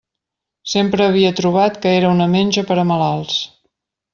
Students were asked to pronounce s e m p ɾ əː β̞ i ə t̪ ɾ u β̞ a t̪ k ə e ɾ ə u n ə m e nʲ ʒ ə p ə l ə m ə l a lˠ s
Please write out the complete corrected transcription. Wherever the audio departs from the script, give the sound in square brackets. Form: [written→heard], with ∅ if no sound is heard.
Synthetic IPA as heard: s e m p ɾ əː β̞ i ə t̪ ɾ u β̞ a t̪ k ə e ɾ ə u n ə m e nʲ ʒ ə p ə [l→ɾ] ə m ə l a lˠ s